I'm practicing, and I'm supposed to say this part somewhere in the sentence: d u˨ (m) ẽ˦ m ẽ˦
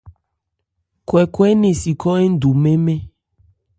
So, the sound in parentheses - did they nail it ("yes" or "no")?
yes